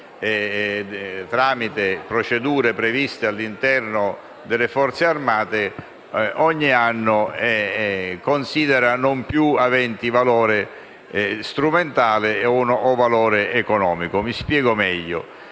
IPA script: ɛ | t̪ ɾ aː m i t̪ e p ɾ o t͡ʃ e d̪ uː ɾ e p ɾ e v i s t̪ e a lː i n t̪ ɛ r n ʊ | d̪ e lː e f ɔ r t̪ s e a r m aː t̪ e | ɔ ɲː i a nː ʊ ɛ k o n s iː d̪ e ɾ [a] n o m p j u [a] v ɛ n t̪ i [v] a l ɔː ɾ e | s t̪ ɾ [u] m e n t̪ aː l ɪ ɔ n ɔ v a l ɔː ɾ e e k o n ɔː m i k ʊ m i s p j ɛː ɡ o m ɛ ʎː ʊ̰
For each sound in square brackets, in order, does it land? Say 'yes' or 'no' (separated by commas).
yes, yes, yes, yes